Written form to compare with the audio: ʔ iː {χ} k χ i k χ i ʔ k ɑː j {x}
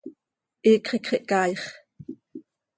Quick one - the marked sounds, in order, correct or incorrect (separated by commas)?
incorrect, incorrect